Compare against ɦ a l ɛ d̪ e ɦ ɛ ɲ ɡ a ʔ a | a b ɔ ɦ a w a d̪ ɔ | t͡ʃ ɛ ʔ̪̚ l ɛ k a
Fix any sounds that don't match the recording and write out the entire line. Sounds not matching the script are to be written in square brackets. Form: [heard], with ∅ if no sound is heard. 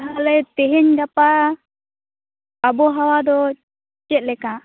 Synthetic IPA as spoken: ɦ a l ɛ [t̪] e ɦ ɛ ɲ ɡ a [p] a | a b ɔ ɦ a w a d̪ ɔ | t͡ʃ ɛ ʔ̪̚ l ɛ k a

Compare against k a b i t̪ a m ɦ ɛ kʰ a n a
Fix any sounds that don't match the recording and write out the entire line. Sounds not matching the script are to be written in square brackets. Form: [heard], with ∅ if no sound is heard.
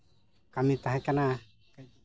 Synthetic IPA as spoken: k a [m] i t̪ a [∅] ɦ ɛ [k] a n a

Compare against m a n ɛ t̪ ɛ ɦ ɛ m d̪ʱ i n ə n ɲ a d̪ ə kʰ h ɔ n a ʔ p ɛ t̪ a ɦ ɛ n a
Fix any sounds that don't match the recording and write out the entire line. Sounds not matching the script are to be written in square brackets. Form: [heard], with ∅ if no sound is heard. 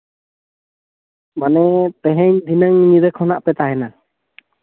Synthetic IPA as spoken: m a n ɛ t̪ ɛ ɦ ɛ [ɲ] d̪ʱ i n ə [ŋ] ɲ [i] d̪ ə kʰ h ɔ n a ʔ p ɛ t̪ a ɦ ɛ n a

